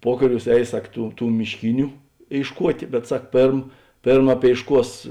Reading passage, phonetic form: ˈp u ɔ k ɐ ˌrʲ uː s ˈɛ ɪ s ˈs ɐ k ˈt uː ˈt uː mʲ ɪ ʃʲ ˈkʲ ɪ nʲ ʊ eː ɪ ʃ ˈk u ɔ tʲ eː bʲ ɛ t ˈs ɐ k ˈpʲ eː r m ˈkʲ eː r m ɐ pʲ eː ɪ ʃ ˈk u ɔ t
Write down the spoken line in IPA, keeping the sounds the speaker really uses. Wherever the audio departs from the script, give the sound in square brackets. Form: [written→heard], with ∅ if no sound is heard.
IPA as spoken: ˈp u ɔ k ɐ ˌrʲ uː s ˈɛ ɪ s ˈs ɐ k ˈt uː ˈt uː mʲ ɪ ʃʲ ˈkʲ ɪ nʲ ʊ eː ɪ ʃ ˈk u ɔ tʲ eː bʲ ɛ t ˈs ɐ k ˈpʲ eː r m [ˈkʲ→ˈpʲ] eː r m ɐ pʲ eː ɪ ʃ ˈk u ɔ [t→s]